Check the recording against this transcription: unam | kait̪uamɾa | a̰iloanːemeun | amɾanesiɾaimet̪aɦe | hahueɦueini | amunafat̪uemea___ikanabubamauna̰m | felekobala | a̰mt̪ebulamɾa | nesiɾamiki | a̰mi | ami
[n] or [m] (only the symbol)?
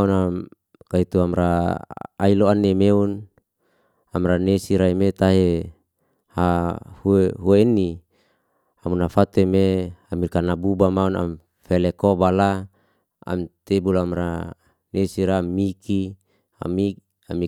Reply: m